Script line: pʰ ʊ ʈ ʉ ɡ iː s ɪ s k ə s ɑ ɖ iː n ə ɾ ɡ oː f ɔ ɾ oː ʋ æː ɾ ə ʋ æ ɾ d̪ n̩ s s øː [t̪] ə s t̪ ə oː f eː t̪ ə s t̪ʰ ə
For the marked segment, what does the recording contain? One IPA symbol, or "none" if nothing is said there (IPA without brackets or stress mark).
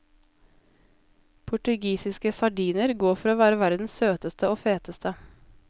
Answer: t̪